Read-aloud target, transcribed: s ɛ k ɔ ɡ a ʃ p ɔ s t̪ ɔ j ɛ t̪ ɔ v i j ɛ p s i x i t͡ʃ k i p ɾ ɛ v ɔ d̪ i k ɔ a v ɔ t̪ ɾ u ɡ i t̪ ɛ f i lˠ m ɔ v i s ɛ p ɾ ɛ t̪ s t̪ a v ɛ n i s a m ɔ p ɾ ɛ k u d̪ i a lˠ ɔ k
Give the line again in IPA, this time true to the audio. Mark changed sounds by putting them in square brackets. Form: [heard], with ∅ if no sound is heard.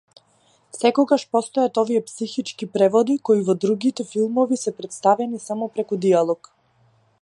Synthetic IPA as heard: s ɛ k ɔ ɡ a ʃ p ɔ s t̪ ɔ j [a] t̪ ɔ v i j ɛ p s i x i t͡ʃ k i p ɾ ɛ v ɔ d̪ i k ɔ [i] v ɔ [d̪] ɾ u ɡ i t̪ ɛ f i lˠ m ɔ v i s ɛ p ɾ ɛ t̪ s t̪ a v ɛ n i s a m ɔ p ɾ ɛ k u d̪ i a lˠ ɔ k

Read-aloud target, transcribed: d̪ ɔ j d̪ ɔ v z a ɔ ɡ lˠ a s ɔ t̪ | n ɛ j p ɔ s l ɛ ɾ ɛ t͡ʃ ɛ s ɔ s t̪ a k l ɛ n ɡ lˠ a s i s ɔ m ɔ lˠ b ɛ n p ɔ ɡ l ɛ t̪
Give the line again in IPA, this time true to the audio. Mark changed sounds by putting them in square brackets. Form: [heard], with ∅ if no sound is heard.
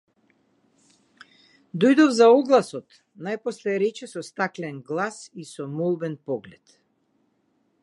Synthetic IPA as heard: d̪ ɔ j d̪ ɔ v z a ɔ ɡ lˠ a s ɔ t̪ | n [a] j p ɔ s l ɛ ɾ ɛ t͡ʃ ɛ s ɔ s t̪ a k l ɛ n ɡ lˠ a s i s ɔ m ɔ lˠ b ɛ n p ɔ ɡ l ɛ t̪

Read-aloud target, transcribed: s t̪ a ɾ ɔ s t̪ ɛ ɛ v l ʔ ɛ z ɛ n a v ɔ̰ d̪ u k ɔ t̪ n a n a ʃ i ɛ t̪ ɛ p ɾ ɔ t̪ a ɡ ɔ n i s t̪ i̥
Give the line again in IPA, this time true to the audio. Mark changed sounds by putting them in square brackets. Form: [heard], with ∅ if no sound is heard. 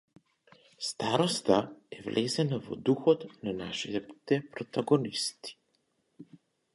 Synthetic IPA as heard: s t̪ a ɾ ɔ s t̪ [a] ɛ v l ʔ ɛ z ɛ n a v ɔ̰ d̪ u [x] ɔ t̪ n a n a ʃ i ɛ t̪ ɛ p ɾ ɔ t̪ a ɡ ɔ n i s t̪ i̥

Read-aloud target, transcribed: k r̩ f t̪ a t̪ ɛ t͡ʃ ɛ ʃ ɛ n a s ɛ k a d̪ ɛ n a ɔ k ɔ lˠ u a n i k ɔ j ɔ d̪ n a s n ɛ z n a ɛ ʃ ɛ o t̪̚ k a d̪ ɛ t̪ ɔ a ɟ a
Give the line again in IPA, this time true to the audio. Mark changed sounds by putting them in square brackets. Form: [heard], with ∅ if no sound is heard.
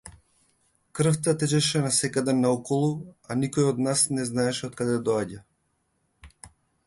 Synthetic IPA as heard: k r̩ f t̪ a t̪ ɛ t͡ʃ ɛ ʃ ɛ n a s ɛ k a d̪ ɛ n a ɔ k ɔ lˠ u a n i k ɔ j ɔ d̪ n a s n ɛ z n a ɛ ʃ ɛ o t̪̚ k a d̪ ɛ [d̪] ɔ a ɟ a

